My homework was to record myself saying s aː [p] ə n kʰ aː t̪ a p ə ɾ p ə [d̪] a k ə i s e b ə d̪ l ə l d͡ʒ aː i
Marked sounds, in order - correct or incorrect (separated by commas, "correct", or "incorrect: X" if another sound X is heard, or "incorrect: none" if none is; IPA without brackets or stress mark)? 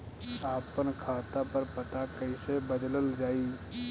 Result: correct, incorrect: t̪